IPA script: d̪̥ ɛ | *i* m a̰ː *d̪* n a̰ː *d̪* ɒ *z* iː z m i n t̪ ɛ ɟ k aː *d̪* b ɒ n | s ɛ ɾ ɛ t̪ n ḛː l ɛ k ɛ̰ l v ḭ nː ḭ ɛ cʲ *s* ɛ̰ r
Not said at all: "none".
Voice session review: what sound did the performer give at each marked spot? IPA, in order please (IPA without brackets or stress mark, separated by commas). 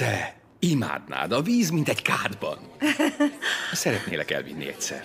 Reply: i, d̪, d̪, v, d̪, s